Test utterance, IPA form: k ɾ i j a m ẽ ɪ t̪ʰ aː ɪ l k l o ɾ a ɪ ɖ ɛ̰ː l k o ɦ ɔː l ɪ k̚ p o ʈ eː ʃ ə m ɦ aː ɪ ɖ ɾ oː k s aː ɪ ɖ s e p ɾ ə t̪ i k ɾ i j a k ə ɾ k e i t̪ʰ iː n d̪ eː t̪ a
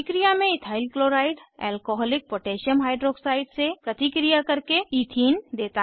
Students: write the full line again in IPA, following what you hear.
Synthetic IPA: k ɾ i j a m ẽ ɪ t̪ʰ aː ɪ l k l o ɾ a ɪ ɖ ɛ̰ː l k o ɦ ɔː l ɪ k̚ p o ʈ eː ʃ ə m ɦ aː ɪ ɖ ɾ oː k s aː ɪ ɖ s e p ɾ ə t̪ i k ɾ i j a k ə ɾ k e i t̪ʰ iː n d̪ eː t̪ a

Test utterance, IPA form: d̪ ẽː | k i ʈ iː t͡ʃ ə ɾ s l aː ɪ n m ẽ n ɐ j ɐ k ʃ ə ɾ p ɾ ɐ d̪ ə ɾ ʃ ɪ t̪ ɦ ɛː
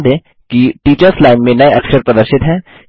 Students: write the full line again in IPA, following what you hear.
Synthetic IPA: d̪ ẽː | k i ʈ iː t͡ʃ ə ɾ s l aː ɪ n m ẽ n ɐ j ɐ k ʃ ə ɾ p ɾ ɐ d̪ ə ɾ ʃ ɪ t̪ ɦ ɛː

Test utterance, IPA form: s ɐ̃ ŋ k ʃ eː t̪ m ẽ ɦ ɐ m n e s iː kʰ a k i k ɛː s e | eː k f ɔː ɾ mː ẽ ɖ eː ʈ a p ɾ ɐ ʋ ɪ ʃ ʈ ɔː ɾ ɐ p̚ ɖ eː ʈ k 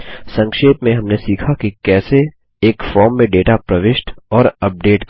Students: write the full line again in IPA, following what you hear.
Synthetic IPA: s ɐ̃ ŋ k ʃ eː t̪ m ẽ ɦ ɐ m n e s iː kʰ a k i k ɛː s e | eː k f ɔː ɾ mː ẽ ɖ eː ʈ a p ɾ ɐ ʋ ɪ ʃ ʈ ɔː ɾ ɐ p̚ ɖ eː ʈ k

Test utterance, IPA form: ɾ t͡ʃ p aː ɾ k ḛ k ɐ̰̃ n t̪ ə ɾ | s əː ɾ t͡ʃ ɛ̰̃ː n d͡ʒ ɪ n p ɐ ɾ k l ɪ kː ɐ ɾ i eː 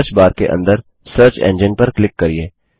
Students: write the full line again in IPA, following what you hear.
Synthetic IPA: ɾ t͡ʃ b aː ɾ k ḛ ʔ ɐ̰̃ n d̪ ə ɾ | s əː ɾ t͡ʃ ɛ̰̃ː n d͡ʒ ɪ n p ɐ ɾ k l ɪ kː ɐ ɾ i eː

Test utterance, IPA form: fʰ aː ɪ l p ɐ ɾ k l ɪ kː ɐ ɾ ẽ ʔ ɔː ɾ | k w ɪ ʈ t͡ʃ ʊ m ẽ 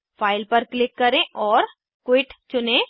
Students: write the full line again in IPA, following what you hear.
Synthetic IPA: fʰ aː ɪ l p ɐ ɾ k l ɪ kː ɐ ɾ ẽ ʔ ɔː ɾ | k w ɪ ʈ t͡ʃ ʊ n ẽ

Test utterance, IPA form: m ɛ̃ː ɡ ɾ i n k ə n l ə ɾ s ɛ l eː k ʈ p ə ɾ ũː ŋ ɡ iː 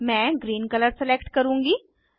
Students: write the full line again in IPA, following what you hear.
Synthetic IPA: m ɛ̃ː ɡ ɾ iː n k ə l ə ɾ s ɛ l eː k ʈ k ə ɾ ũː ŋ ɡ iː

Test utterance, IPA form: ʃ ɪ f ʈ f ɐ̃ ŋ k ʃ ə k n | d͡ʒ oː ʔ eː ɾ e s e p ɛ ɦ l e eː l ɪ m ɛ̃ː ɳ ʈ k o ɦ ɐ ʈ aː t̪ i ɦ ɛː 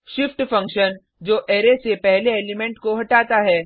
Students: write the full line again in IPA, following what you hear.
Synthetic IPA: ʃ ɪ f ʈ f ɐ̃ ŋ k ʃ ə n | d͡ʒ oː ʔ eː ɾ e s e p ɛ ɦ l e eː l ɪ m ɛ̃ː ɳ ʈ k o ɦ ɐ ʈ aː t̪ a ɦ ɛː

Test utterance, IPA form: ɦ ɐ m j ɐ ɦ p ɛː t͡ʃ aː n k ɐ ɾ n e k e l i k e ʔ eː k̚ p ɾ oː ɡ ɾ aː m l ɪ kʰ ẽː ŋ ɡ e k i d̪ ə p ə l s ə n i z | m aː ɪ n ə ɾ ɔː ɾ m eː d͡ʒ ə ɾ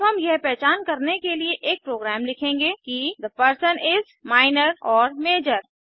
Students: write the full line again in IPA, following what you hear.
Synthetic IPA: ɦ ɐ m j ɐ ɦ p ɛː t͡ʃ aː n k ɐ ɾ n e k e l i e ʔ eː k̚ p ɾ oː ɡ ɾ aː m l ɪ kʰ ẽː ŋ ɡ e k i d̪ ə p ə ɾ s ə n ɪ z | m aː ɪ n ə ɾ ɔː ɾ m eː d͡ʒ ə ɾ

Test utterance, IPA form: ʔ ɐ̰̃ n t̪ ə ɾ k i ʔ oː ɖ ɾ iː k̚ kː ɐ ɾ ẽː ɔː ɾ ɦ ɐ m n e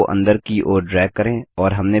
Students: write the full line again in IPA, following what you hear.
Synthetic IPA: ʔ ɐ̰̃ n d̪ ə ɾ k i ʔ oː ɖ ɾ ɛː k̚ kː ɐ ɾ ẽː ɔː ɾ ɦ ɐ m n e

